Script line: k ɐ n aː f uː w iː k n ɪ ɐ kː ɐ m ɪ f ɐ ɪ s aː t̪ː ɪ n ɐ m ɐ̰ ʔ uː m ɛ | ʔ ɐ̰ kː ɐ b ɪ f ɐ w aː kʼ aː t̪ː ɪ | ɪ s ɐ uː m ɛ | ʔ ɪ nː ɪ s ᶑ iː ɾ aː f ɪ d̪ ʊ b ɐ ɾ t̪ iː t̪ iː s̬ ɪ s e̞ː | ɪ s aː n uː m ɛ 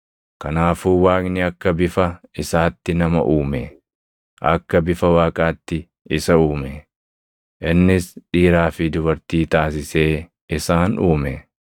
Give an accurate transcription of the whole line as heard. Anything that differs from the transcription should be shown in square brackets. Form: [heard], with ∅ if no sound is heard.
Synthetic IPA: k ɐ n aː f uː w [aː] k n ɪ ɐ kː ɐ [b] ɪ f ɐ ɪ s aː t̪ː ɪ n ɐ m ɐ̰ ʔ uː m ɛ | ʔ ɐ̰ kː ɐ b ɪ f ɐ w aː kʼ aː t̪ː ɪ | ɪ s ɐ uː m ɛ | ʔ ɪ nː ɪ s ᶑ iː ɾ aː f ɪ d̪ ʊ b ɐ ɾ t̪ iː t̪ [aː] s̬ ɪ s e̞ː | ɪ s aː n uː m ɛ